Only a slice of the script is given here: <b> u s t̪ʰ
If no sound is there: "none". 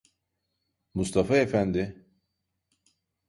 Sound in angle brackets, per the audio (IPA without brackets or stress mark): m